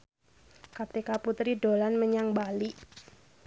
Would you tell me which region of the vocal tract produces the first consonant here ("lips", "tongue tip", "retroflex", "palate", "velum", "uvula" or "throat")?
velum